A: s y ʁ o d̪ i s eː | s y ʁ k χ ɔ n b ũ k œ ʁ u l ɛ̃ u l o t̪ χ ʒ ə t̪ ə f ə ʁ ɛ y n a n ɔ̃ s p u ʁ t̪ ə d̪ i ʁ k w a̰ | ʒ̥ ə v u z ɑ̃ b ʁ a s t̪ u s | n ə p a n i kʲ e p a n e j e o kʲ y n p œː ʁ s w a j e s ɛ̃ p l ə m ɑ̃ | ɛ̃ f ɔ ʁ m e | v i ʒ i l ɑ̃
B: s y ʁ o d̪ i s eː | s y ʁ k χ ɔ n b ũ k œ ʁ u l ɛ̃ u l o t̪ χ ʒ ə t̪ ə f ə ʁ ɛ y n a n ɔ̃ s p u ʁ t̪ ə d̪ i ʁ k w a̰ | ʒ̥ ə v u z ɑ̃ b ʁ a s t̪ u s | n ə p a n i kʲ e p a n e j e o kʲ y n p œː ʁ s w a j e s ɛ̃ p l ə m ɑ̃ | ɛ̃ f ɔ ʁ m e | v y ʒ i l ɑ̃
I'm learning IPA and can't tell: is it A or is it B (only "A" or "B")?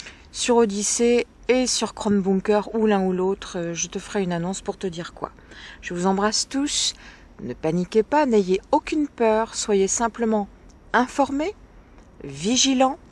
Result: A